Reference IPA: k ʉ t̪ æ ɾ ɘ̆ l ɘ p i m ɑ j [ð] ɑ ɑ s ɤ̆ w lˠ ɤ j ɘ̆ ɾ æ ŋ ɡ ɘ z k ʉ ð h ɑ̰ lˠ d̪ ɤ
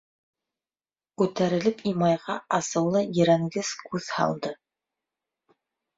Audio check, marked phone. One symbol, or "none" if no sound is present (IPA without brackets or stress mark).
ʁ